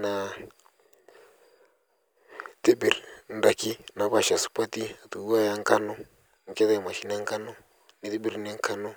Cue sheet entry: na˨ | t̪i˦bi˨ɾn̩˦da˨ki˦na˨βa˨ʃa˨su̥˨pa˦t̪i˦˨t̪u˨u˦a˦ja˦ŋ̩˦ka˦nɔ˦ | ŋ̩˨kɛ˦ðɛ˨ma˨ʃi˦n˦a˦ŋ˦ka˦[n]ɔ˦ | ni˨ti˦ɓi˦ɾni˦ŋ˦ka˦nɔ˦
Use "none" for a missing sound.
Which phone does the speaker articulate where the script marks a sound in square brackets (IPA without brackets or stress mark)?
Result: n